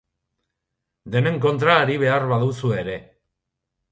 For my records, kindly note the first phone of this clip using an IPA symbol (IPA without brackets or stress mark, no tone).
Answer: d̪